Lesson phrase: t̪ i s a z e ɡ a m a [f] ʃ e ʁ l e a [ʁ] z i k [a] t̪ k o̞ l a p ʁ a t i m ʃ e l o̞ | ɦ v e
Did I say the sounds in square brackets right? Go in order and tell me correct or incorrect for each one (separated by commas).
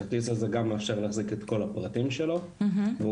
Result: correct, incorrect, incorrect